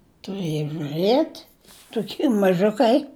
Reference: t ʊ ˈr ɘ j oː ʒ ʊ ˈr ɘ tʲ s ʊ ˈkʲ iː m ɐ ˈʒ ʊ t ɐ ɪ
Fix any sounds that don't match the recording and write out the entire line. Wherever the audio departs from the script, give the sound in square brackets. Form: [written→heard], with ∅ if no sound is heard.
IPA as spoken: t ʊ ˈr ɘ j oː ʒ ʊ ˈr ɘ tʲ [s→t] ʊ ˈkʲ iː m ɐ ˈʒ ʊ [t→k] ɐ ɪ